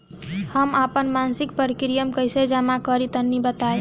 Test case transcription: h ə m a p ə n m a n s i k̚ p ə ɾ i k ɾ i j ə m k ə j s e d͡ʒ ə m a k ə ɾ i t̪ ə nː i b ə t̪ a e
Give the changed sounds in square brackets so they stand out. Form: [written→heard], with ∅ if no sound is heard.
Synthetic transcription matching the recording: h ə m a p ə n m a n s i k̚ p ə ɾ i k ɾ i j ə m k ə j s e d͡ʒ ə m a k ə ɾ i t̪ ə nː i b ə t̪ a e